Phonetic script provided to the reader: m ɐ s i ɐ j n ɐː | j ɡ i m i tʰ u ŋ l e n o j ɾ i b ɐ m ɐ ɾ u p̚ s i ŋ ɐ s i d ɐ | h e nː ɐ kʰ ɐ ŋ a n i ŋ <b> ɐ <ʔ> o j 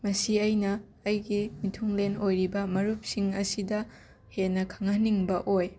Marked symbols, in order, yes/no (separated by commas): yes, yes